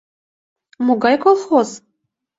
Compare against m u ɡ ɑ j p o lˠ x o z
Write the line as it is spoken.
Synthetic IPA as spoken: m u ɡ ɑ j k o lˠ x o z

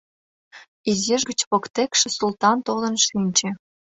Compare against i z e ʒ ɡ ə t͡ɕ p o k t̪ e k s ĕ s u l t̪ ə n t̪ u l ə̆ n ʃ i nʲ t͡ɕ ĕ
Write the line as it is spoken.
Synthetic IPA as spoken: i z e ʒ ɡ ə t͡ɕ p o k t̪ e k ʃ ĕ s u l t̪ ɑ n t̪ o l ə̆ n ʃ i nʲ t͡ɕ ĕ

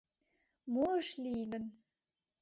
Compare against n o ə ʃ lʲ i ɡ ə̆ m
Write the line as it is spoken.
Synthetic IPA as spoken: m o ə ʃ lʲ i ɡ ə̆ n

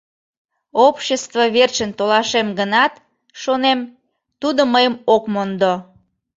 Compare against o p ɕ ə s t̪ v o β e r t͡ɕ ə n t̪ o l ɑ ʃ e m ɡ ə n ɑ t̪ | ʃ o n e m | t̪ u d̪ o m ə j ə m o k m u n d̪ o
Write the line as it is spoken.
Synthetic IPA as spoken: o p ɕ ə s t̪ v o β e r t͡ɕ ə n t̪ o l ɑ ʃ e m ɡ ə n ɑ t̪ | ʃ o n e m | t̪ u d̪ o m ə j ə m o k m o n d̪ o

